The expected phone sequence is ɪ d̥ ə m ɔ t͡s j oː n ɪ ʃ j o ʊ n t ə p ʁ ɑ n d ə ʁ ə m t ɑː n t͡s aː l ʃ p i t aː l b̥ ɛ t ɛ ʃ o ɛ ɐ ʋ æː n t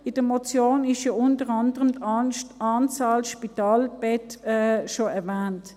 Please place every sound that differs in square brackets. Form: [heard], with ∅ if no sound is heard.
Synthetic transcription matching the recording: ɪ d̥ ə m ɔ t͡s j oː n ɪ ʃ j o ʊ n t ə [∅] ʁ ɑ n d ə ʁ ə m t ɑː n t͡s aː l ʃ p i t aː l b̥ ɛ t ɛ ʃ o ɛ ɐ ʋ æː n t